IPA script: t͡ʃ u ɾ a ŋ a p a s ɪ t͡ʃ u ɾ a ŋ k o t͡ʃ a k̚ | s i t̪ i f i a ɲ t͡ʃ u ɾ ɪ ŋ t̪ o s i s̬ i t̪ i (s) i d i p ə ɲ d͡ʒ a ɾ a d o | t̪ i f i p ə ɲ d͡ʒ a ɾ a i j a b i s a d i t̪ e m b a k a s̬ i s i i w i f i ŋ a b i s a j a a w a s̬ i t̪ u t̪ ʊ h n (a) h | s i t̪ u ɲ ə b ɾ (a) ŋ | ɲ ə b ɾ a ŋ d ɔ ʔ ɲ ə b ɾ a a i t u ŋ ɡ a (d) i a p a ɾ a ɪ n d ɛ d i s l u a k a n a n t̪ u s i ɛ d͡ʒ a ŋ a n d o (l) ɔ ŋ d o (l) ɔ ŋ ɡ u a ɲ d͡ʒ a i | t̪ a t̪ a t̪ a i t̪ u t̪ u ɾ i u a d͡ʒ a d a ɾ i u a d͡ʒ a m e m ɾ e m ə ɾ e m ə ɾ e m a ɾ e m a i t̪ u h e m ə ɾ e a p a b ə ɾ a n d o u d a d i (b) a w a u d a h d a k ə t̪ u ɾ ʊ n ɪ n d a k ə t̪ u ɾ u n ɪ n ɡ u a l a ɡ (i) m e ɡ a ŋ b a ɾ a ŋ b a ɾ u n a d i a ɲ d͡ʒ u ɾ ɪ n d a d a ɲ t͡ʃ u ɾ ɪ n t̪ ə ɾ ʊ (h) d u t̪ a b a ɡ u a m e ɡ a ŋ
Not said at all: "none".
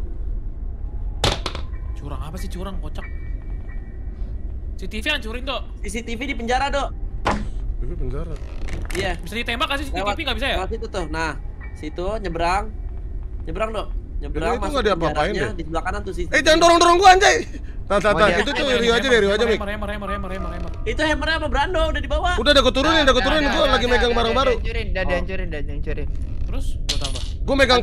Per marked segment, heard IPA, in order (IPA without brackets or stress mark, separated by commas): f, a, a, d, ɾ, ɾ, b, i, s